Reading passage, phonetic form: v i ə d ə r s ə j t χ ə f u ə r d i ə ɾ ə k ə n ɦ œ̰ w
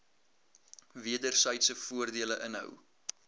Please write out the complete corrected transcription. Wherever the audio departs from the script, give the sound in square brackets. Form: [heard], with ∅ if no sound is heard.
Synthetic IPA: v i ə d ə r s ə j t [s] ə f u ə r d i ə [l] ə [ʔ] ə n ɦ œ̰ w